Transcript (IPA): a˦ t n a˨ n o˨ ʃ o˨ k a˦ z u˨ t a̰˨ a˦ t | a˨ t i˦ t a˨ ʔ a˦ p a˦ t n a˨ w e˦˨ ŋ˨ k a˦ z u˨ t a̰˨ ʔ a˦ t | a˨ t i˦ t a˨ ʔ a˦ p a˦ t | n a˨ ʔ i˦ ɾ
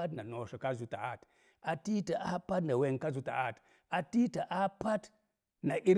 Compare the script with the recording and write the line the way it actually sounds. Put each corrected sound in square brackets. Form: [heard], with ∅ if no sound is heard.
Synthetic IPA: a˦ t n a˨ n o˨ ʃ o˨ k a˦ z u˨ t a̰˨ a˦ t | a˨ t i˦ t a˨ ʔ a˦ p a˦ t n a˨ w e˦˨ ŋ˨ k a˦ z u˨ t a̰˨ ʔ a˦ t | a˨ t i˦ t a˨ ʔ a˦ p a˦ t | n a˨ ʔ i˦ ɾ